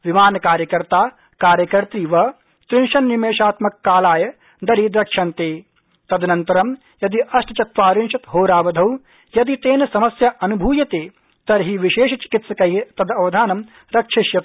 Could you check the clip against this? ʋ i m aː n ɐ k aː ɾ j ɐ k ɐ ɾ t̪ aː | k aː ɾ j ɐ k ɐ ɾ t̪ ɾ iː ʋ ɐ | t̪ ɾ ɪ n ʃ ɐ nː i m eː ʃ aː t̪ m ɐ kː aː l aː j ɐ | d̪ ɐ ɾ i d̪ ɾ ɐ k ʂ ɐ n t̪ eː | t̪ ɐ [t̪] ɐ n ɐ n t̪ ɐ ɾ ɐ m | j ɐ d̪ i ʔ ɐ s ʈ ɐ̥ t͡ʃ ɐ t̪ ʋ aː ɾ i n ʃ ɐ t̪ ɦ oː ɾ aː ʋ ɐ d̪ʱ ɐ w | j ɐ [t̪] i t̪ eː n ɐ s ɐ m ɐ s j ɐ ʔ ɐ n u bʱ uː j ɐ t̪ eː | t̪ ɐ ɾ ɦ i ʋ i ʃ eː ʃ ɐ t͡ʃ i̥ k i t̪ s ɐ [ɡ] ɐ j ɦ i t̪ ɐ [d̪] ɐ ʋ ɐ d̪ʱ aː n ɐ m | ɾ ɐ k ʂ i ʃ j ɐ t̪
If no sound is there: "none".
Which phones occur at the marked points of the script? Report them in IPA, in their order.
d̪, d̪, k, d̪

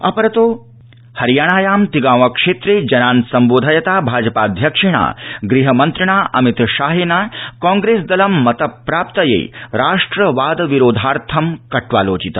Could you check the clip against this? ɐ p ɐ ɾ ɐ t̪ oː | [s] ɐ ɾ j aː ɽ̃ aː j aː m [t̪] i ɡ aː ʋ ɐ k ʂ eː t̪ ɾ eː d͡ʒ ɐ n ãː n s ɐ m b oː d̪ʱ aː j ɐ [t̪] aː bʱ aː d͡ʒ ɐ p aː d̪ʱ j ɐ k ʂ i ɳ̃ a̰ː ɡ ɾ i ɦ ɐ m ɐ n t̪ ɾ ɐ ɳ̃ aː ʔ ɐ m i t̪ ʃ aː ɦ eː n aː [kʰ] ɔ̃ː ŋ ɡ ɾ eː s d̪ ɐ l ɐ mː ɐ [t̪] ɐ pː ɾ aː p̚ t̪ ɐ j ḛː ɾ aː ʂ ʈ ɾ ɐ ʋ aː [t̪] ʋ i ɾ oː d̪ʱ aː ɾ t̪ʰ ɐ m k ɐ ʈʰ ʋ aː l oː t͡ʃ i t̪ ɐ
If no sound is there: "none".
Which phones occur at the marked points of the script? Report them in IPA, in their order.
h, t̪, t̪, k, t̪, d̪

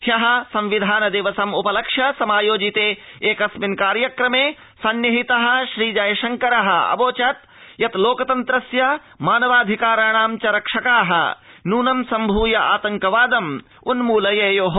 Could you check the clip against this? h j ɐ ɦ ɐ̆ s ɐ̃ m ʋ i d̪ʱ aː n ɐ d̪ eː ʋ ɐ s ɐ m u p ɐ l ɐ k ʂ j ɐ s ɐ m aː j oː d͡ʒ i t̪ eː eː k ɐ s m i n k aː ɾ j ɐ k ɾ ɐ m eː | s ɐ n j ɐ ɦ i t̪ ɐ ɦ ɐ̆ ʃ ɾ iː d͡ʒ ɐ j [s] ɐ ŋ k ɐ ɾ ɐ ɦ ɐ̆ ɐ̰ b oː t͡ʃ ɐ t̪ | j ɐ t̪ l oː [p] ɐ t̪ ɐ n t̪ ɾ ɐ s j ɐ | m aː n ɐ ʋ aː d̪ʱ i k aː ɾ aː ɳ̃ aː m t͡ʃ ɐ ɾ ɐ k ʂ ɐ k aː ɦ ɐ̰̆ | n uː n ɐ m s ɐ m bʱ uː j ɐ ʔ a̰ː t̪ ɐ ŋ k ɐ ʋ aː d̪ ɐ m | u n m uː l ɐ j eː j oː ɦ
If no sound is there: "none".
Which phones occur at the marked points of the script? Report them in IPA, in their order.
ʃ, k

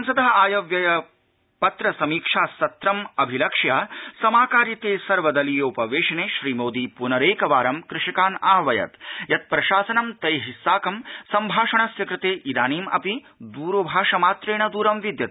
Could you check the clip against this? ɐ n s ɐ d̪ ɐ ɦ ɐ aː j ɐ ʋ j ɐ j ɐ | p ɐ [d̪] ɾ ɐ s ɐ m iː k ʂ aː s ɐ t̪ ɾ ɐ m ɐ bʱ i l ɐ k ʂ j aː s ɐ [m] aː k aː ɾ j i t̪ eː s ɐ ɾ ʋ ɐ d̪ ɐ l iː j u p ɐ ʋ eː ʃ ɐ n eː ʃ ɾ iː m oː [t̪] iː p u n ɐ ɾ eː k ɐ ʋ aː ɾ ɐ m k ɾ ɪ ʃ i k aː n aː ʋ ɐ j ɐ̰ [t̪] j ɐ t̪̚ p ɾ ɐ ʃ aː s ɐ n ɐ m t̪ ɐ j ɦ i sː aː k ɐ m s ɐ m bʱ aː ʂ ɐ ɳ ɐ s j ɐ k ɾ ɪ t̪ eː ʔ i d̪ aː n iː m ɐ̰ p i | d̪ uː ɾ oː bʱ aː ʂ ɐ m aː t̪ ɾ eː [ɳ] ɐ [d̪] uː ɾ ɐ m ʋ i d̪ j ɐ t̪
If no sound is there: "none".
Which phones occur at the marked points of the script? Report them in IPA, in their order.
t̪, m, d̪, t̪, ɳ, d̪

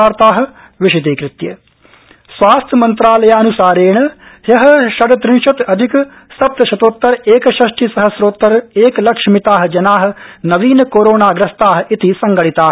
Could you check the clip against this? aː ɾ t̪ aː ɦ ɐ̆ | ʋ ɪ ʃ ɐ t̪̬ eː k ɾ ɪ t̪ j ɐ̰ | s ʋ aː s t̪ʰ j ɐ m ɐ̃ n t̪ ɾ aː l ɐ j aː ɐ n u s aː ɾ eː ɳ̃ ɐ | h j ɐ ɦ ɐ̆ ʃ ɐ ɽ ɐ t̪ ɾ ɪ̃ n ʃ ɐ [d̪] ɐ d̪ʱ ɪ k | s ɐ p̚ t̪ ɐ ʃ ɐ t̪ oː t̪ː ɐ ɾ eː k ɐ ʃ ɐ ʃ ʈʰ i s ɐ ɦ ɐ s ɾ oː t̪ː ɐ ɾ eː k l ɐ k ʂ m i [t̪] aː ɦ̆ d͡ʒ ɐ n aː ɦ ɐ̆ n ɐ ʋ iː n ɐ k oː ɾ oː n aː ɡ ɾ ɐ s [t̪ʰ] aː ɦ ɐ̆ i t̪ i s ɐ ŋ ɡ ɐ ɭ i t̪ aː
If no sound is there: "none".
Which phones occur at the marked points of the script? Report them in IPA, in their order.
t̪, t̪, t̪

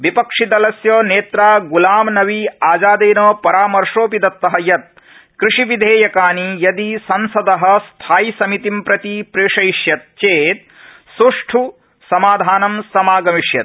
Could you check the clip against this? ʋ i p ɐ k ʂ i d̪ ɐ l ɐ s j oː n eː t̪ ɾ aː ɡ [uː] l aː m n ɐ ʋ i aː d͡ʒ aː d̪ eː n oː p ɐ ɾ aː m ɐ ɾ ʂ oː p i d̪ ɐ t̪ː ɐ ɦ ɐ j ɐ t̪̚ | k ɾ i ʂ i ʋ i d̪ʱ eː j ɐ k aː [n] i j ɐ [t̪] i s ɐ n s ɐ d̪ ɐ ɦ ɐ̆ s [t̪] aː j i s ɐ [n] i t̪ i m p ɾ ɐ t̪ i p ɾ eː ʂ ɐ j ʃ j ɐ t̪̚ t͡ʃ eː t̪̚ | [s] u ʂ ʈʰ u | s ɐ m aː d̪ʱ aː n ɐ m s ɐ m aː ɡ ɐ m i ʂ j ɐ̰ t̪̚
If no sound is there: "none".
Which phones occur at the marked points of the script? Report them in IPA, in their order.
u, n, d̪, t̪ʰ, m, s

